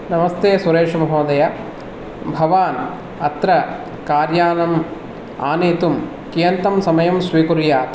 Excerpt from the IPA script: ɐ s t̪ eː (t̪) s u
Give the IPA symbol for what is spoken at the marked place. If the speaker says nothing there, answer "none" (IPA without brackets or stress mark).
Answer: none